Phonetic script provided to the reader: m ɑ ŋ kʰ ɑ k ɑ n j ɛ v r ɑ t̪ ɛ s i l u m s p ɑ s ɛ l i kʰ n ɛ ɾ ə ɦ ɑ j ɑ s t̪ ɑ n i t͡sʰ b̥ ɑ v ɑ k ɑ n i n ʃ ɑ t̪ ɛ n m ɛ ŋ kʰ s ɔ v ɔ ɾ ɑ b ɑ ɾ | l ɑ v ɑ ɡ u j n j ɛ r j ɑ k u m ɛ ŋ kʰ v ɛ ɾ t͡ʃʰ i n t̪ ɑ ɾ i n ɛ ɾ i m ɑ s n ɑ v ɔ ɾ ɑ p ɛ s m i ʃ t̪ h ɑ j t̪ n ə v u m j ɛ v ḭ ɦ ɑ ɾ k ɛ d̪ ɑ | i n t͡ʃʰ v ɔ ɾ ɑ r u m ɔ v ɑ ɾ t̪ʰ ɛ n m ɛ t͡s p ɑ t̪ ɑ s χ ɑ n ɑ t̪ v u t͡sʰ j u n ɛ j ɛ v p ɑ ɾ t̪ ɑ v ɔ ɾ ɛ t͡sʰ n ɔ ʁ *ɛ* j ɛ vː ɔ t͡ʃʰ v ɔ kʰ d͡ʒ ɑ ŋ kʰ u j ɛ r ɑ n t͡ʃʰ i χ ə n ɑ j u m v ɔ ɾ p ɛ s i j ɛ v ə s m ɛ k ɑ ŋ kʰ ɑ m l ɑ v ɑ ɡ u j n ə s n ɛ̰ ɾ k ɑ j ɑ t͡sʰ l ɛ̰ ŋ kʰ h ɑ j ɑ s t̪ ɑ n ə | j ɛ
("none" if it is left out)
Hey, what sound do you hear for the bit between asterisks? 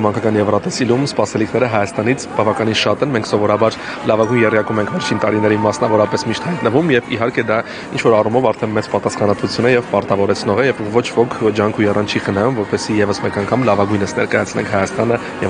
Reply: ɛ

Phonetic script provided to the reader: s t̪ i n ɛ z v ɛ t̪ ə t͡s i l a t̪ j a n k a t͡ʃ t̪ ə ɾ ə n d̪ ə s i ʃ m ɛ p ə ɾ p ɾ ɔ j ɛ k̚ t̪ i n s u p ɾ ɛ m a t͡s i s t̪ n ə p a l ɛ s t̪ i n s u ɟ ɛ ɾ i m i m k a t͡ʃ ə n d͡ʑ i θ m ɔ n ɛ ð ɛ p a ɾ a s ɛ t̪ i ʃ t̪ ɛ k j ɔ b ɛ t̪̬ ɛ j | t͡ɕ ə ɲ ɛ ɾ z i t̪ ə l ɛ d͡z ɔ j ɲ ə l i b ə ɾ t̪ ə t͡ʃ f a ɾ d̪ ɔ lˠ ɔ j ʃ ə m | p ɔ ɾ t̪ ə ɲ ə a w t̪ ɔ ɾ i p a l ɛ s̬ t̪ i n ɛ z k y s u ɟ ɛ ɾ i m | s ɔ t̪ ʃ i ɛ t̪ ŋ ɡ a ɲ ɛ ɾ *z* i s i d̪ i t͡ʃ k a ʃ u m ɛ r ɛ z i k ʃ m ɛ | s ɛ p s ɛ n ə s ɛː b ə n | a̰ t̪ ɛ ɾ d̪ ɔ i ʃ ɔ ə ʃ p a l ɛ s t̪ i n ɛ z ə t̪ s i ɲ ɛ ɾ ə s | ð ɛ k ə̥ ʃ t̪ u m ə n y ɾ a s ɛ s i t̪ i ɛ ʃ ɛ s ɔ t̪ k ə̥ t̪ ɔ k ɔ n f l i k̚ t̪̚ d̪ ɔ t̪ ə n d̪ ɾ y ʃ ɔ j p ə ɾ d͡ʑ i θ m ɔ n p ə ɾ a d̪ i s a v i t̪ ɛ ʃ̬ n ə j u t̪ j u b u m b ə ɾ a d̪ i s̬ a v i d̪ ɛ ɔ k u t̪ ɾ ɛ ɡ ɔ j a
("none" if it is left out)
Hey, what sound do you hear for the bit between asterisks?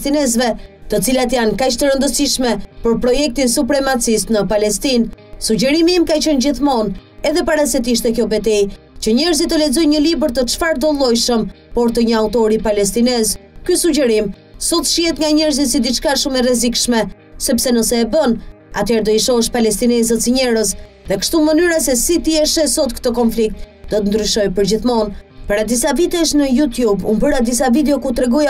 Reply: z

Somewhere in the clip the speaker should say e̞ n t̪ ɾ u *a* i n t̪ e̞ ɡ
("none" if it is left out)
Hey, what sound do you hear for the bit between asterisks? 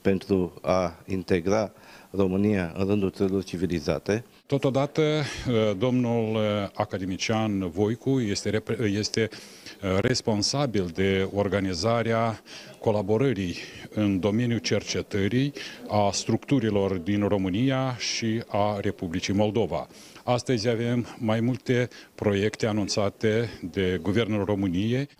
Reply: a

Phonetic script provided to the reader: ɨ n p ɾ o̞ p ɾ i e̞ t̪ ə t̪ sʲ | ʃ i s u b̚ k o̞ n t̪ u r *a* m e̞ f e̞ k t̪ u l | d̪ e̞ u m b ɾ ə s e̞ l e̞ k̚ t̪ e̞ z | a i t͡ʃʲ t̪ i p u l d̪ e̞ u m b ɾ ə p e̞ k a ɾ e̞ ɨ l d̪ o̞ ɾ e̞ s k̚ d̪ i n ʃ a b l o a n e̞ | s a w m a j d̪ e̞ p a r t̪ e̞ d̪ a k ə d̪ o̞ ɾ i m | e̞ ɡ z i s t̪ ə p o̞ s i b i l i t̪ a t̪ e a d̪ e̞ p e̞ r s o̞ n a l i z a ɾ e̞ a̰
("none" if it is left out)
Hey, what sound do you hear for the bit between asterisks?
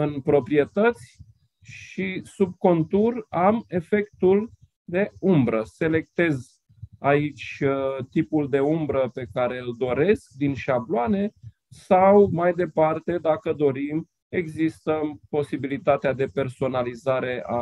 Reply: a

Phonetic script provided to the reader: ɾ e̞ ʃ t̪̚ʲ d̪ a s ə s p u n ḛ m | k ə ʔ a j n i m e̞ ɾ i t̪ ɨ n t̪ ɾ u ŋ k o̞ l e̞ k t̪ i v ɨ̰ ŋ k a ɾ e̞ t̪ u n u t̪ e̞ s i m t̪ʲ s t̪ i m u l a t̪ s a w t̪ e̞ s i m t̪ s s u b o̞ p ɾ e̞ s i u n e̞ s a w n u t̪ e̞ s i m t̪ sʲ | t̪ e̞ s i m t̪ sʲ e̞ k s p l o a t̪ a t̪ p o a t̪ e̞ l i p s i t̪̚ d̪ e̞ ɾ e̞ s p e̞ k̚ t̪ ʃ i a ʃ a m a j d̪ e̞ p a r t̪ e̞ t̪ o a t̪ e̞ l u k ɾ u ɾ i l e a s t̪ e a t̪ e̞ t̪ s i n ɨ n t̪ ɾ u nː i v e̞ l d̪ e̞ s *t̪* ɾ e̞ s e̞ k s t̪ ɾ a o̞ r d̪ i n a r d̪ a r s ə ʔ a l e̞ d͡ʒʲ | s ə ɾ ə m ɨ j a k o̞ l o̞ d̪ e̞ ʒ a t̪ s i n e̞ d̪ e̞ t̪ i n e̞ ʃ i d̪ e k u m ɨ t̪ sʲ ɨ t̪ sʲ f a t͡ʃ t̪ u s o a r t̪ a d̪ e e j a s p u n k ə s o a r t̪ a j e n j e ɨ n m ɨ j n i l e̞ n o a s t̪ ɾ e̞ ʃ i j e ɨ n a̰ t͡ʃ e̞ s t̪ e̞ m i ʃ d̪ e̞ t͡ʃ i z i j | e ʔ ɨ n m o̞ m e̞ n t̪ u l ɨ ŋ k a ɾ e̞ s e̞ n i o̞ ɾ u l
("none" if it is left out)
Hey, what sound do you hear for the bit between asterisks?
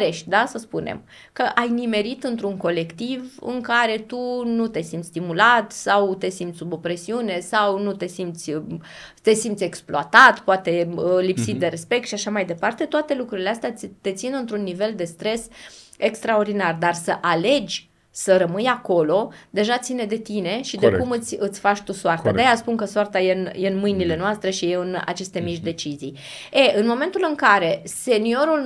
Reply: t̪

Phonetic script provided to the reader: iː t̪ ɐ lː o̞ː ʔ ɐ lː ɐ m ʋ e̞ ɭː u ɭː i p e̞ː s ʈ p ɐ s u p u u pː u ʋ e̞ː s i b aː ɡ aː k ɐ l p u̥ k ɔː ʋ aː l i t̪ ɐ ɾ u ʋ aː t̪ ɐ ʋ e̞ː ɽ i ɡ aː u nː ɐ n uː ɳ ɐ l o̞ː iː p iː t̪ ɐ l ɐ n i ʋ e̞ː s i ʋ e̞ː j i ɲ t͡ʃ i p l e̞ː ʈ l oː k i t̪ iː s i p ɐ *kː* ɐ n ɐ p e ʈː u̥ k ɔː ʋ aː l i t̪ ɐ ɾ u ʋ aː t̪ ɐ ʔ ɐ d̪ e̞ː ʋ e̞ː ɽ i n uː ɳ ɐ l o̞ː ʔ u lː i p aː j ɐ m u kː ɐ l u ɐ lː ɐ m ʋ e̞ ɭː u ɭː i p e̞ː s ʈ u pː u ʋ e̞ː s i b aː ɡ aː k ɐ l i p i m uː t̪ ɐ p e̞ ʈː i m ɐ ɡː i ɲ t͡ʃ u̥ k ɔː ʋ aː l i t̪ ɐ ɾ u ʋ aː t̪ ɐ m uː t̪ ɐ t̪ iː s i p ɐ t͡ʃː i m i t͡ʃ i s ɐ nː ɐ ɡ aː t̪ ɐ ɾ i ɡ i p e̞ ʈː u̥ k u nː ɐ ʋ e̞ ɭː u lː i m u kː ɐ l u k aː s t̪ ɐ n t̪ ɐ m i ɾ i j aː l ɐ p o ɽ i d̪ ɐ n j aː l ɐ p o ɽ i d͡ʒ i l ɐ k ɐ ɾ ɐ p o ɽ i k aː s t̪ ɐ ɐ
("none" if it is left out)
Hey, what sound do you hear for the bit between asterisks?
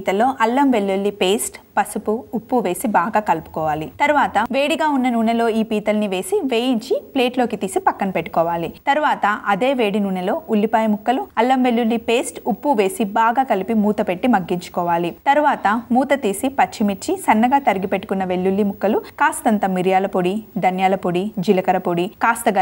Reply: kː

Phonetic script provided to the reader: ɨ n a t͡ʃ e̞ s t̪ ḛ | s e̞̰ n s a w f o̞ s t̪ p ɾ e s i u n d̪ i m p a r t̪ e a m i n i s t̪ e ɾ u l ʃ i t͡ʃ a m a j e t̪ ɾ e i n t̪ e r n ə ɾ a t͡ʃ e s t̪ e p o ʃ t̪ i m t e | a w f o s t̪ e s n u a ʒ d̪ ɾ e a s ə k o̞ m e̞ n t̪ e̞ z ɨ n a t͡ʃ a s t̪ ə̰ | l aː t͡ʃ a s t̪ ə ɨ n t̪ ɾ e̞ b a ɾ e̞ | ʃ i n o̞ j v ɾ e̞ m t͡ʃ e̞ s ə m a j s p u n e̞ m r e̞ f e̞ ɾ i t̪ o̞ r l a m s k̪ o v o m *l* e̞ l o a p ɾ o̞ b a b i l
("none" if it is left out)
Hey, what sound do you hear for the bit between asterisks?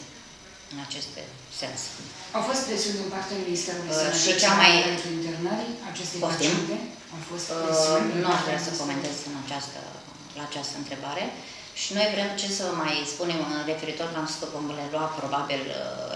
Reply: l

